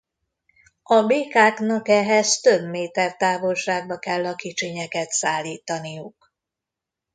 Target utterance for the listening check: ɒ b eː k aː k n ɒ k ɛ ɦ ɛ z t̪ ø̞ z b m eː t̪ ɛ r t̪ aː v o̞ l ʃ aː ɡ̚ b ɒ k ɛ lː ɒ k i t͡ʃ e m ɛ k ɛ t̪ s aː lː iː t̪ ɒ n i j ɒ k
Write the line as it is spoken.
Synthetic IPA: ɒ b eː k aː k n ɒ k ɛ ɦ ɛ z t̪ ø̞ b m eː t̪ ɛ r t̪ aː v o̞ l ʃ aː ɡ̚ b ɒ k ɛ lː ɒ k i t͡ʃ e ɲ ɛ k ɛ t̪ s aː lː iː t̪ ɒ n i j u k